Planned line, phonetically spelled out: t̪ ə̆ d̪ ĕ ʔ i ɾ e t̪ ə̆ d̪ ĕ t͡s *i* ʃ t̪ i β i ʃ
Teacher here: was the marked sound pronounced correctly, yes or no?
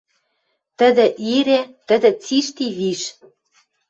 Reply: yes